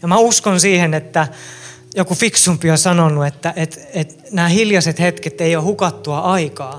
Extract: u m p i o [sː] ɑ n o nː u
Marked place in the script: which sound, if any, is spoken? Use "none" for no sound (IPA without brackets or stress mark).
s